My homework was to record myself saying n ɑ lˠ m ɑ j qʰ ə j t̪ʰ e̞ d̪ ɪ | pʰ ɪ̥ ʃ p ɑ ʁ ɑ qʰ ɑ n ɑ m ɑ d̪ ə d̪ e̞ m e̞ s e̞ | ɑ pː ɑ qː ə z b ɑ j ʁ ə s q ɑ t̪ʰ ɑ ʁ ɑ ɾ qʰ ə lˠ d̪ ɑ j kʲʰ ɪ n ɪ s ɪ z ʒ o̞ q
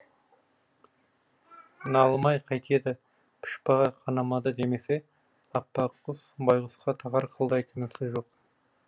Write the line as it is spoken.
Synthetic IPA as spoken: n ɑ lˠ m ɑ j qʰ ɑ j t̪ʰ e̞ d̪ ɪ | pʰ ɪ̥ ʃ p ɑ ʁ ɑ qʰ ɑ n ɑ m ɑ d̪ ə d̪ e̞ m e̞ s e̞ | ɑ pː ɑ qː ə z b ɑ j ʁ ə s q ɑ t̪ʰ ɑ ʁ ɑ ɾ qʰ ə lˠ d̪ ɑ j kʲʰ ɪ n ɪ s ɪ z ʒ o̞ q